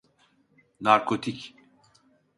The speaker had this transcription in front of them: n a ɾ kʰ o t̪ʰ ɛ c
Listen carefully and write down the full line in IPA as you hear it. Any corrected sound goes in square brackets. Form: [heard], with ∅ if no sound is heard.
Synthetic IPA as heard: n a ɾ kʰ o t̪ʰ [i] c